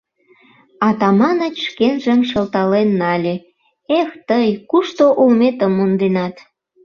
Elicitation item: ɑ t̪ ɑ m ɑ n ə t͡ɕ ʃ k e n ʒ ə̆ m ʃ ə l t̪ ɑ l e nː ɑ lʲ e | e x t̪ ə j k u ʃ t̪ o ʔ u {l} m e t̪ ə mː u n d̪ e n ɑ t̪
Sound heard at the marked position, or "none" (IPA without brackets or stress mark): l